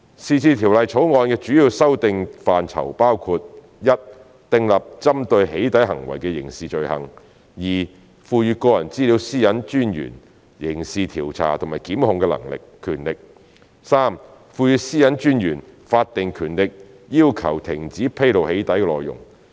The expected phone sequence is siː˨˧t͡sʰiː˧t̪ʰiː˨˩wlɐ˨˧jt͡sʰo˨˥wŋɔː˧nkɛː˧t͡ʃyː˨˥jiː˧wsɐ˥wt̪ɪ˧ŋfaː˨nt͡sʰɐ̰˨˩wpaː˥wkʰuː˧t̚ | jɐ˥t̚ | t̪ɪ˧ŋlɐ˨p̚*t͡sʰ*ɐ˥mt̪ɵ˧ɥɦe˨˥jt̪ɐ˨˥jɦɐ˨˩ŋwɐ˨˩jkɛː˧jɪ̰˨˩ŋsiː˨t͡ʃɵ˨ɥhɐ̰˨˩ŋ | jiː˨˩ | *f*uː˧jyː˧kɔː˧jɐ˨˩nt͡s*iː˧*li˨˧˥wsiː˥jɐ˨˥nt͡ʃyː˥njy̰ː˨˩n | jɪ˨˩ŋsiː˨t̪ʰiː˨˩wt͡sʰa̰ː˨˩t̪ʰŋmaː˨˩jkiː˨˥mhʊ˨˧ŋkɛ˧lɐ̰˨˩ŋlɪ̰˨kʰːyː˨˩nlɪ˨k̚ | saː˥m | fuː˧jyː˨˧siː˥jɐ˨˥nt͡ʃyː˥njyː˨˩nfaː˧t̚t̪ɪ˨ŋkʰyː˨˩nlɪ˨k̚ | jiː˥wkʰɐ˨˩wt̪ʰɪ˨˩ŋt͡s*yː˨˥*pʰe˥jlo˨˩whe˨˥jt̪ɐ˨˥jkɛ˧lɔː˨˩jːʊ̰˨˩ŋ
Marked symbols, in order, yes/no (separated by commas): no, yes, no, no